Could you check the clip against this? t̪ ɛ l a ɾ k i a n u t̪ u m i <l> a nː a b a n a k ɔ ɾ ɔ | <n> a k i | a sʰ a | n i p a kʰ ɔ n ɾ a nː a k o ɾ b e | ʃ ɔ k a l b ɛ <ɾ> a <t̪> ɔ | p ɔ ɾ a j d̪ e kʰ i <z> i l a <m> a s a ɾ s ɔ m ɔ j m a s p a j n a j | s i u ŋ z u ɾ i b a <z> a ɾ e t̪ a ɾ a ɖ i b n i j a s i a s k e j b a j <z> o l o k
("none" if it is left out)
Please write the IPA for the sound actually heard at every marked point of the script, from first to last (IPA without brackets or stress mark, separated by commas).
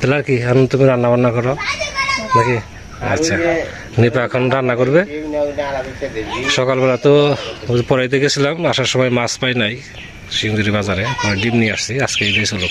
ɾ, n, l, t̪, s, m, z, s